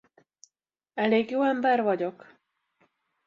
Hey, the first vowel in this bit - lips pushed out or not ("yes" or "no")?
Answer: no